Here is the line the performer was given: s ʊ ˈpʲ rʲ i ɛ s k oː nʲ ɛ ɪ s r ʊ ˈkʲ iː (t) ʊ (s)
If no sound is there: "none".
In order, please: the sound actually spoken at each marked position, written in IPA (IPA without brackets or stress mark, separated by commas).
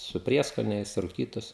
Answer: t, s